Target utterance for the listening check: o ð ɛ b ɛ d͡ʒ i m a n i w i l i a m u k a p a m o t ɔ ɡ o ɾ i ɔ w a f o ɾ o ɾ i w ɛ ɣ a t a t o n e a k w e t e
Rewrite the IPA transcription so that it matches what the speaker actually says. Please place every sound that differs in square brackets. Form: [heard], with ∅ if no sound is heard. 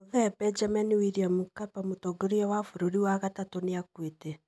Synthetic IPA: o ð ɛ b ɛ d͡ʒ [a] m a n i w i [ɾ] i a m u k a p a m o t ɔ ɡ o ɾ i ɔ w a f o ɾ o ɾ i w [a] ɣ a t a t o n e a k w e t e